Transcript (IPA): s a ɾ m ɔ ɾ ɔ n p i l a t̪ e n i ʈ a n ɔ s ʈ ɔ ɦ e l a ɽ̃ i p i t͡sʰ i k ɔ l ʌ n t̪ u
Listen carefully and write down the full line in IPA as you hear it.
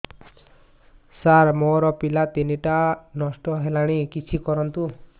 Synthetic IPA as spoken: s a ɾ m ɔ ɾ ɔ p i l a t̪ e n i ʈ a n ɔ s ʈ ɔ ɦ e l a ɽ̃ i k i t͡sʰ i k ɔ ɾ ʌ n t̪ u